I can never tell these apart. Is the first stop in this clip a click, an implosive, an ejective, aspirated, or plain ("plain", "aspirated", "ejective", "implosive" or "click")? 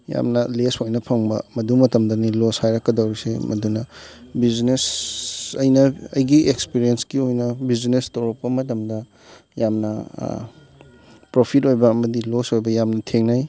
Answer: aspirated